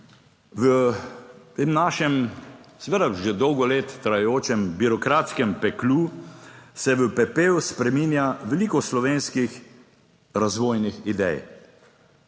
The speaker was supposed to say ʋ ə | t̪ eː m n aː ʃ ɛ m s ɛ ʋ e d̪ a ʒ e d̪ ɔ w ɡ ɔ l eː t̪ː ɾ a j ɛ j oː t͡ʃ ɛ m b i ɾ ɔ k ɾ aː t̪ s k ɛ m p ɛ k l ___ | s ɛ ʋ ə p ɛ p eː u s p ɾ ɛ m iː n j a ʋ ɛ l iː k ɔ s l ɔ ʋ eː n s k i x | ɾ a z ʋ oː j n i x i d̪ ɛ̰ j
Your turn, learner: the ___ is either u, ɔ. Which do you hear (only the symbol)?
u